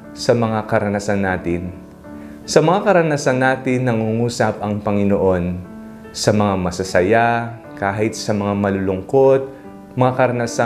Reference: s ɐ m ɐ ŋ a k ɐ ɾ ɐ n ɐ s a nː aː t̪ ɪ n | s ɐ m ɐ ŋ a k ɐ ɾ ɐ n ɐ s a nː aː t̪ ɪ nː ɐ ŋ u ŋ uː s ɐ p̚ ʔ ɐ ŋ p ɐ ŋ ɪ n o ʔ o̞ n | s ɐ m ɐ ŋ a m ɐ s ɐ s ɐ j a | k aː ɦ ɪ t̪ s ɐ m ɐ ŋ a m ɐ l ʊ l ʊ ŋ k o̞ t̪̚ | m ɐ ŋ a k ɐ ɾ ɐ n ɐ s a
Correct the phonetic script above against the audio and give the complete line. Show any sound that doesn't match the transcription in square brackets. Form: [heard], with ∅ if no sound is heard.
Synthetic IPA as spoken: s ɐ m ɐ ŋ a k ɐ ɾ ɐ n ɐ s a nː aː t̪ ɪ n | s ɐ m ɐ ŋ a k ɐ ɾ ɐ n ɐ s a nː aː t̪ ɪ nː ɐ ŋ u ŋ uː s ɐ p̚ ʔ ɐ ŋ p ɐ ŋ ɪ n o ʔ o̞ n | s ɐ m ɐ ŋ a m ɐ s ɐ s ɐ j a | k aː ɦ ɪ t̪ s ɐ m ɐ ŋ a m ɐ l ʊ l ʊ ŋ k o̞ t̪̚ | m ɐ ŋ a k ɐ ɾ ɐ n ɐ s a